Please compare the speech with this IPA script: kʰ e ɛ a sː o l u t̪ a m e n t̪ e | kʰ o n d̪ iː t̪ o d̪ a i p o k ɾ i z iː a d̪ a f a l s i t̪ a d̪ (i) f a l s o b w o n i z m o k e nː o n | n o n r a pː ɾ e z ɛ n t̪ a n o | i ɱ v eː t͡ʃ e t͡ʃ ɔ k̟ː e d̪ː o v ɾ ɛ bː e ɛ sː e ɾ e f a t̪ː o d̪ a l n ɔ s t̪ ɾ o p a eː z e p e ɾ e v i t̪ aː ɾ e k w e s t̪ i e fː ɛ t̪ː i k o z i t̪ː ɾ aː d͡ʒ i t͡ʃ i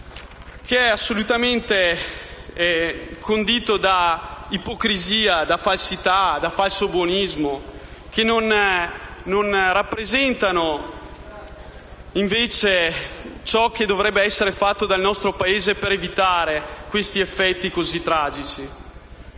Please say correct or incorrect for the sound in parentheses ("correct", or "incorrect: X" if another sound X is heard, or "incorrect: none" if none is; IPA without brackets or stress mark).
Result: incorrect: a